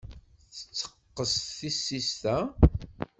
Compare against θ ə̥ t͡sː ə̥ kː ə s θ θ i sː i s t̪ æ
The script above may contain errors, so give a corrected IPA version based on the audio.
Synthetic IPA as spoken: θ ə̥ t͡sː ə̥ qː ə s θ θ i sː i s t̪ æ